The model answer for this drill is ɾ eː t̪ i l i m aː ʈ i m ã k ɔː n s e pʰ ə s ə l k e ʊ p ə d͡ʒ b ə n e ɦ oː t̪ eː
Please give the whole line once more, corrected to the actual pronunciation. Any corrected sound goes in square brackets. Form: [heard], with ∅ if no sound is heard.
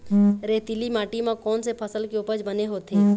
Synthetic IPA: ɾ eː t̪ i l i m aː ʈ i m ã k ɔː n s e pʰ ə s ə l k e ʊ p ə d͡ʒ b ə n e ɦ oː t̪ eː